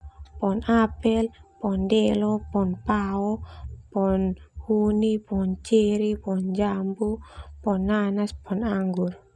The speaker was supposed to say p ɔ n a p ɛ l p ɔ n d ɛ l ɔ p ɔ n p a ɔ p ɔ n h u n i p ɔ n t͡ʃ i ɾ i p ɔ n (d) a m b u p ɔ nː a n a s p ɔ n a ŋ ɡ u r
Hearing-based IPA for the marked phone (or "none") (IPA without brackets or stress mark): d͡ʒ